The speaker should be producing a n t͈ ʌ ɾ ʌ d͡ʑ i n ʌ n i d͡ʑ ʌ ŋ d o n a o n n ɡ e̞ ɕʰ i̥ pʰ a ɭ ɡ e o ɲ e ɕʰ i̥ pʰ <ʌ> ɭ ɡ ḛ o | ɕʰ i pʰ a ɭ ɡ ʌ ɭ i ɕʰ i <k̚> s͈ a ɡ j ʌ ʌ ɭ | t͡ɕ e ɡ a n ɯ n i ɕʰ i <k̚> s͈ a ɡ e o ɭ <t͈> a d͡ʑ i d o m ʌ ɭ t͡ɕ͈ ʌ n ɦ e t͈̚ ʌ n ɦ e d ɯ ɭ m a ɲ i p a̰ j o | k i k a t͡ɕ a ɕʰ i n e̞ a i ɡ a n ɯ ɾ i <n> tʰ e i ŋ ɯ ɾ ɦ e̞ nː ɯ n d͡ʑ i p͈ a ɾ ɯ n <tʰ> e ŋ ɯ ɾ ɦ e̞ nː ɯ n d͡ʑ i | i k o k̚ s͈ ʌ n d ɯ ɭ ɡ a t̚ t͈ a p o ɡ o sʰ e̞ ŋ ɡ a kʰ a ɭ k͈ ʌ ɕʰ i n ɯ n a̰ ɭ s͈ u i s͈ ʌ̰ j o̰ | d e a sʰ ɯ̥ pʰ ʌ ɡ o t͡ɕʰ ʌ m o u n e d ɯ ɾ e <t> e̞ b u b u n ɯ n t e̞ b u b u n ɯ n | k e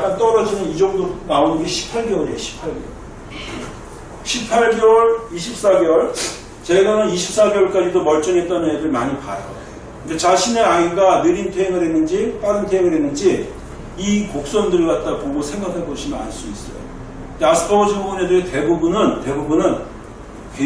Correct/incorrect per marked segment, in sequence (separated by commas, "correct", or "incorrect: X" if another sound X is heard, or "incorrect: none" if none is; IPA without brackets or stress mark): incorrect: a, incorrect: p̚, incorrect: p̚, incorrect: k͈, correct, correct, correct